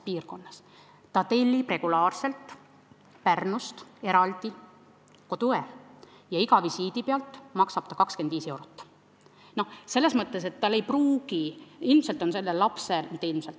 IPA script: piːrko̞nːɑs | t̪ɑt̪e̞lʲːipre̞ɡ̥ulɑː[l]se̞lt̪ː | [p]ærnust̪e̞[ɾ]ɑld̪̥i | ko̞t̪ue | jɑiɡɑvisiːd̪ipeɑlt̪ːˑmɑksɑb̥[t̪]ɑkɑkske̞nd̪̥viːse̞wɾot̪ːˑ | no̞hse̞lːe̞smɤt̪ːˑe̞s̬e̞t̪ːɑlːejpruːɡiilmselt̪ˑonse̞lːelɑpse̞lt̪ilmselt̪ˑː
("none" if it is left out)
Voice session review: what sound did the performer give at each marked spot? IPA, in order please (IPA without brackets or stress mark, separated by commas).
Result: r, p, ɾ, t̪